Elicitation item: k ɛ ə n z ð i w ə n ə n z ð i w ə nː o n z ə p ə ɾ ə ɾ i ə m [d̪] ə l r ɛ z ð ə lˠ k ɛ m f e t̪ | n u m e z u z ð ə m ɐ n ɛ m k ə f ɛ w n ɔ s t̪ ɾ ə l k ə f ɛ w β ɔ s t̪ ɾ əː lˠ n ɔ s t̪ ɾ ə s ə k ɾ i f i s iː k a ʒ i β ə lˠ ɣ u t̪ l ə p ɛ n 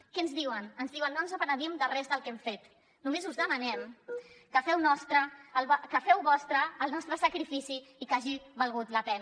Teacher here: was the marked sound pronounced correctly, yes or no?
yes